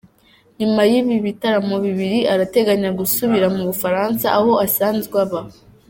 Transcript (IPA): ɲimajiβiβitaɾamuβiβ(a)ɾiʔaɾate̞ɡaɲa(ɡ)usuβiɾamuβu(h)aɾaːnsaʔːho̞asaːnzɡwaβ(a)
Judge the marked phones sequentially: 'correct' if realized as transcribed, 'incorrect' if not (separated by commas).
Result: incorrect, correct, incorrect, correct